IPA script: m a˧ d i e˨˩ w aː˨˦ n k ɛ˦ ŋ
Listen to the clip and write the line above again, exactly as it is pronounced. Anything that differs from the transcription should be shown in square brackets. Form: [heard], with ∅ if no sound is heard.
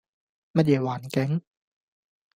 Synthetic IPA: m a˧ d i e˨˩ w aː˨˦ n k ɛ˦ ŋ